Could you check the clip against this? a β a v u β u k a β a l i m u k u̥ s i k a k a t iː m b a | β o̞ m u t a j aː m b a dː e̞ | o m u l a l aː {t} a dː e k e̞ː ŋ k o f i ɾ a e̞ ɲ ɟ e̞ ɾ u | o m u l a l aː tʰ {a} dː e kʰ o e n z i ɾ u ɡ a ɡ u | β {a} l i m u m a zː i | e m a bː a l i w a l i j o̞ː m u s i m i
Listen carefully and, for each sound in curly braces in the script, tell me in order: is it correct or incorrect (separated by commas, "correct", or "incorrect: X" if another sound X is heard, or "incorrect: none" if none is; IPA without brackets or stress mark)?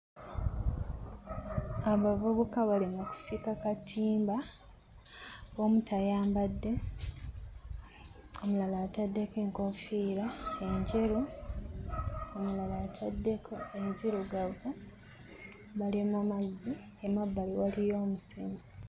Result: correct, correct, correct